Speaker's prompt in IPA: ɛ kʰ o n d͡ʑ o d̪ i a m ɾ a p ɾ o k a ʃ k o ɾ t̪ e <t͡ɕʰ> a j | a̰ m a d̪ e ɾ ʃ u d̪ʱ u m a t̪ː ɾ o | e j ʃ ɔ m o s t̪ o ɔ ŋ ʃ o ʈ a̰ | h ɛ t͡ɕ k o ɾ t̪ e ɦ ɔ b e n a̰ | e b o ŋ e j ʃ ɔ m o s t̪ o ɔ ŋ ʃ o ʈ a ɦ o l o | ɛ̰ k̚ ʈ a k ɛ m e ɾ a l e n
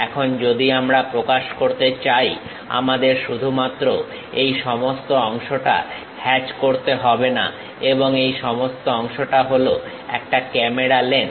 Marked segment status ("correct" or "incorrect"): incorrect